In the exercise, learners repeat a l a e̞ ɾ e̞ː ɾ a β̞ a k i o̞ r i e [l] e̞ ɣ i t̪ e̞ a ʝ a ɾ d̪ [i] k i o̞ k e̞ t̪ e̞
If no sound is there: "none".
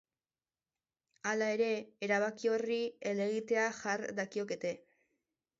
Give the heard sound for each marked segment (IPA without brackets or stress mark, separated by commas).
l, a